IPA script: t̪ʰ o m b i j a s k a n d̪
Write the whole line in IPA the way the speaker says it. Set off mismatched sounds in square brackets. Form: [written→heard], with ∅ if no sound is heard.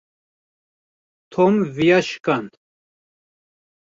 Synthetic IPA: t̪ʰ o m [b→v] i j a [s→ʃ] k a n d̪